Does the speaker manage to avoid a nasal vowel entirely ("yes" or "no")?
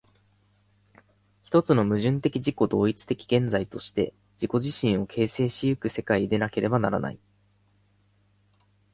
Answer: no